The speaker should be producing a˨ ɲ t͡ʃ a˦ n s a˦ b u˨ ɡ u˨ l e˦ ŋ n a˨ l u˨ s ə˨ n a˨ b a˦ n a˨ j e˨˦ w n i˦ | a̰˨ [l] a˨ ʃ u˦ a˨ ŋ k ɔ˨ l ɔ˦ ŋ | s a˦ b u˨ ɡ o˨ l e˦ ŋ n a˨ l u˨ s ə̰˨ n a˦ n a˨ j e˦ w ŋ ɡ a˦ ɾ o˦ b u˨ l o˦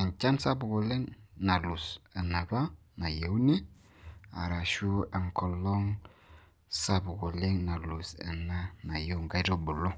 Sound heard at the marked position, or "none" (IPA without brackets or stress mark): ɾ